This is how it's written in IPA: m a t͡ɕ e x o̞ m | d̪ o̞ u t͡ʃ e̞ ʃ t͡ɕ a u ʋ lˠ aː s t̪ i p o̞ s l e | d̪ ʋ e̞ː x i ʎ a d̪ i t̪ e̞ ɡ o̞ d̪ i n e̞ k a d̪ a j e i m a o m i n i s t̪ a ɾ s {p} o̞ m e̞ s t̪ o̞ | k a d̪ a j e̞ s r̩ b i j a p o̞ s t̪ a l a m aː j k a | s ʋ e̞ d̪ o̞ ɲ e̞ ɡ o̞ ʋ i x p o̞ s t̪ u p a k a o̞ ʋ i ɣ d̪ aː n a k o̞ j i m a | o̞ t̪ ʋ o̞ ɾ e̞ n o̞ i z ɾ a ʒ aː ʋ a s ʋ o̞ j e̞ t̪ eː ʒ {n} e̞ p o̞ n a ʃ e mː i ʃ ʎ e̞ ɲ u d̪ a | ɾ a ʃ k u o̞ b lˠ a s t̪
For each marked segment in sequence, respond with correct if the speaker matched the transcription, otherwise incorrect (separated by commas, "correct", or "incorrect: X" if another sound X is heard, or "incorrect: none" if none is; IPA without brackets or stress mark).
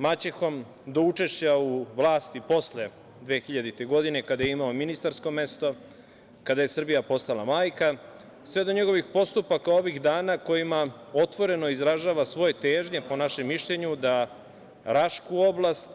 incorrect: k, incorrect: ɲ